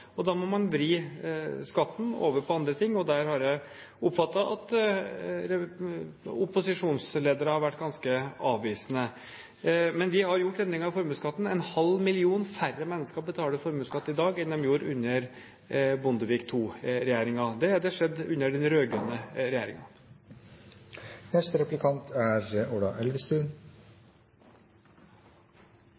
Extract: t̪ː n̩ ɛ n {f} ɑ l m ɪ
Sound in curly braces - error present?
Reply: yes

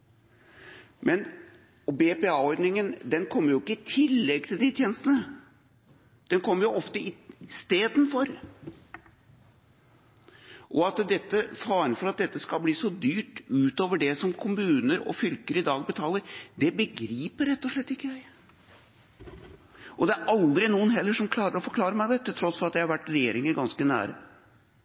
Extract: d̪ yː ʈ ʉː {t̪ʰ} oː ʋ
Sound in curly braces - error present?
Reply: yes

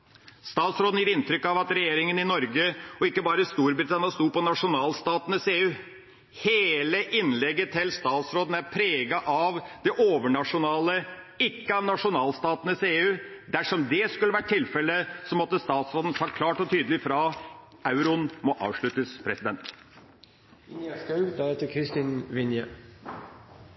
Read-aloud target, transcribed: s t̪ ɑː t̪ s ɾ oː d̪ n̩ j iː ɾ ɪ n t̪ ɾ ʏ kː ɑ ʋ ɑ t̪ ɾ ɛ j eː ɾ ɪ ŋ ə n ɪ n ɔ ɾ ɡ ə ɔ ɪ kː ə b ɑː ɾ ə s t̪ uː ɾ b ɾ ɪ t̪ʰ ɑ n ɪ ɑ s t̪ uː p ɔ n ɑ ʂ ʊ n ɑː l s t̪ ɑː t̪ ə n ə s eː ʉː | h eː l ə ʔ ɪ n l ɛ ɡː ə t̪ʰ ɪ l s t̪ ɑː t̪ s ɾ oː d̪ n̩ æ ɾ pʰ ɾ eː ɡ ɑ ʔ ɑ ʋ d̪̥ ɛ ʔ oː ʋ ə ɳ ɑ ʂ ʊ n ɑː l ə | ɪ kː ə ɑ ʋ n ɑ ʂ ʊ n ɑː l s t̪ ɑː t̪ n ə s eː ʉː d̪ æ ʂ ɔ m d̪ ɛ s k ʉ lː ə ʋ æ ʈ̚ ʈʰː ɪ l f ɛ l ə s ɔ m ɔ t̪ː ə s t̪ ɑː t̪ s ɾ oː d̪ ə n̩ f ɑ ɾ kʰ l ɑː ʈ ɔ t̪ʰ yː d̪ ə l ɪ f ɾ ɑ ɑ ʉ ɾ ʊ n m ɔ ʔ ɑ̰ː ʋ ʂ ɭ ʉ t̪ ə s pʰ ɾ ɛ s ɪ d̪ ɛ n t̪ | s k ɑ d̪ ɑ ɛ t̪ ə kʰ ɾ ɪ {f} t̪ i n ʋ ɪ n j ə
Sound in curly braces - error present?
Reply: yes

